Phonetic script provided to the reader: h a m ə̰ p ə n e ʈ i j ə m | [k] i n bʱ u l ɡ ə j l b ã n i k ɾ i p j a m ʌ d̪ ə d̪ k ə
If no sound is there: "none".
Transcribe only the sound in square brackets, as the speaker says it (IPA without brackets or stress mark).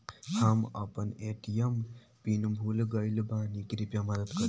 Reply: p